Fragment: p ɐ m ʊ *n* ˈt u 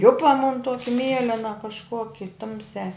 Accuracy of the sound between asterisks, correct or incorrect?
correct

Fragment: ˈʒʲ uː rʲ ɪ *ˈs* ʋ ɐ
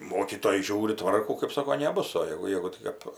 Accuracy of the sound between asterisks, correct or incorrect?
incorrect: t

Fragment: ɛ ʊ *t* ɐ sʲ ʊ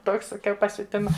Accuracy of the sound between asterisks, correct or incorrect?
incorrect: p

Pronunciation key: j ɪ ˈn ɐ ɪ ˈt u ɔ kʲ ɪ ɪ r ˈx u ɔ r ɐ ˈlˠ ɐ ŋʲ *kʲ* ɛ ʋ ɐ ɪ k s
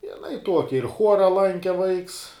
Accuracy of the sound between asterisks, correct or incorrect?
correct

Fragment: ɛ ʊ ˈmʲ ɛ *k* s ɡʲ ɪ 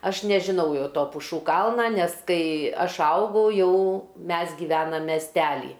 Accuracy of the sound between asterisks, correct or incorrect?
incorrect: none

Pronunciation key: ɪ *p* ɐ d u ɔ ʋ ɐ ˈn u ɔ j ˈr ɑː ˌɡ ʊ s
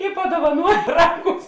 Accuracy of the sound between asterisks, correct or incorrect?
correct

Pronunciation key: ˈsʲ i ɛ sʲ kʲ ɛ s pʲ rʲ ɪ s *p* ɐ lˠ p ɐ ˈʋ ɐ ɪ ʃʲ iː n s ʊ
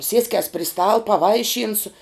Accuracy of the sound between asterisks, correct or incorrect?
incorrect: t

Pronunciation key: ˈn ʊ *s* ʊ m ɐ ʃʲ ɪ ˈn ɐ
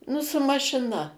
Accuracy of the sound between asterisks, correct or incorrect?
correct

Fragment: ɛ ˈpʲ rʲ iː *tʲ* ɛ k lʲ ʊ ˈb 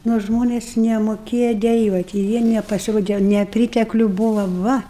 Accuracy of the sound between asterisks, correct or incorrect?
correct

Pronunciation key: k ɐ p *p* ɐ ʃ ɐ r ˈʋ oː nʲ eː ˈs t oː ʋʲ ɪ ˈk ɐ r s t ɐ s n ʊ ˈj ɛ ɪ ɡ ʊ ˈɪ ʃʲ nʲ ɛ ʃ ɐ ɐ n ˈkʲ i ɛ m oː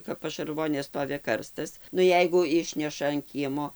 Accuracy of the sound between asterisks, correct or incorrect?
correct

